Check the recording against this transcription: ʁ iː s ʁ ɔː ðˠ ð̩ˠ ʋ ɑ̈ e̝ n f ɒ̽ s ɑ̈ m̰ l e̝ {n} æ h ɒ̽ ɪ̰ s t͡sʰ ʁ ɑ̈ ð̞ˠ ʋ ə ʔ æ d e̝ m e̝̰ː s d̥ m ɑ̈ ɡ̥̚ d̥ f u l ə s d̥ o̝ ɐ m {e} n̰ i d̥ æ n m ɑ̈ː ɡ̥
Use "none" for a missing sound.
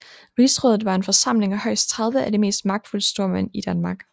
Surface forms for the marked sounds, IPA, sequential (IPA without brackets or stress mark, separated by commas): ŋ, æ